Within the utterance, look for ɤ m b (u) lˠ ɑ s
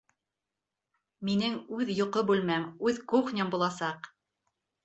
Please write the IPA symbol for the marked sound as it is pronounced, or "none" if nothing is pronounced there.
u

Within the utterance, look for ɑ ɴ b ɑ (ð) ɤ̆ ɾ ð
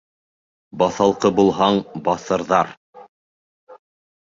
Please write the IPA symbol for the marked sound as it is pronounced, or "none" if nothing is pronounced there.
θ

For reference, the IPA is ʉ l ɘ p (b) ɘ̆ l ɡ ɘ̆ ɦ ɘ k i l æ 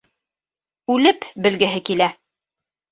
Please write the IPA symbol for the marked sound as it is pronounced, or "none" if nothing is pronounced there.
b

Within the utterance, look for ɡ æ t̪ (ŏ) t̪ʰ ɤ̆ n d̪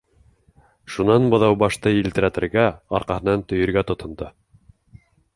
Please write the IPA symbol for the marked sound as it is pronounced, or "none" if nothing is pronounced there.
ŏ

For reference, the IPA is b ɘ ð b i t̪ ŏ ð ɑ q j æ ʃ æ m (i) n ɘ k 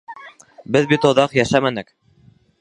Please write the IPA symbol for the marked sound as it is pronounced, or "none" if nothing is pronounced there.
æ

